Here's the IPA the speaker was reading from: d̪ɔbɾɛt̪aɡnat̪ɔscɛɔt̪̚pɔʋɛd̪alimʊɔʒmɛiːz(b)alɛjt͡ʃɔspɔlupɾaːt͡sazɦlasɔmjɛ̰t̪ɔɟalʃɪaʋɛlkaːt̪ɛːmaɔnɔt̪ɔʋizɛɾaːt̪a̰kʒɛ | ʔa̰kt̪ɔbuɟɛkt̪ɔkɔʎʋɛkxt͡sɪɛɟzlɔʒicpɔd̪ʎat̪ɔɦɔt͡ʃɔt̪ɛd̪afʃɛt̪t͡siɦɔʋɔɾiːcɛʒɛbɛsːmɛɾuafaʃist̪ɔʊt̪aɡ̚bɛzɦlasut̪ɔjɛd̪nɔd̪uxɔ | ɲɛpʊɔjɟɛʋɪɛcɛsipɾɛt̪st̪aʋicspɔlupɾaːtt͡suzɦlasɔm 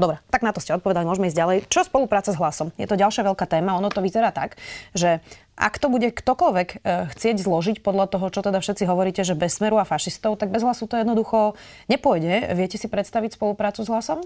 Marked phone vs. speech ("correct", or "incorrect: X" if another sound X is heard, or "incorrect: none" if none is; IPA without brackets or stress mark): incorrect: ɟ